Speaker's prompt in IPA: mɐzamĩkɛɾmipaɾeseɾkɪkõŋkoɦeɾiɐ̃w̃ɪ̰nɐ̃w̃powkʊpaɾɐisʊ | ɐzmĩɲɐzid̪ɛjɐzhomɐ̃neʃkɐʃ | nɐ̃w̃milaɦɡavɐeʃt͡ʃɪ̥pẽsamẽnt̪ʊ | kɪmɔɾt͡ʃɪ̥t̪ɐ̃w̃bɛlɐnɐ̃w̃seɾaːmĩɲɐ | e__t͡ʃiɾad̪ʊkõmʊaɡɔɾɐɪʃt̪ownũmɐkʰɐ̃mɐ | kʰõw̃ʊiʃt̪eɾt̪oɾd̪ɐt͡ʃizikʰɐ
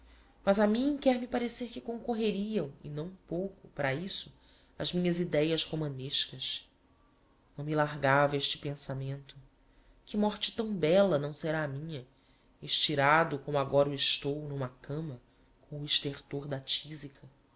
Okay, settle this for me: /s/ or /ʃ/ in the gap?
ʃ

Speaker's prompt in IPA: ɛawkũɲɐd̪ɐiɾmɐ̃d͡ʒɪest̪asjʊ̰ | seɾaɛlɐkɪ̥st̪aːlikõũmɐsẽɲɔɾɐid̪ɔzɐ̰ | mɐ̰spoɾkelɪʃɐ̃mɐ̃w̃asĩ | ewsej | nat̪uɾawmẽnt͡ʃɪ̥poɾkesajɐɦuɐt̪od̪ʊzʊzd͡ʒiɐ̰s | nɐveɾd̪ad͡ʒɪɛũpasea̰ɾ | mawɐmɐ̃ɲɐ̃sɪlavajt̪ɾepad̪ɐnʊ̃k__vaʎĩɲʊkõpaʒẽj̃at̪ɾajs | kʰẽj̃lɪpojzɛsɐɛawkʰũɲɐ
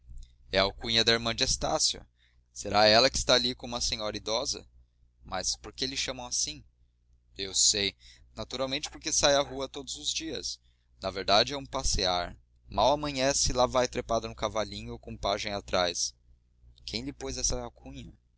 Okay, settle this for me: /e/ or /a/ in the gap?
a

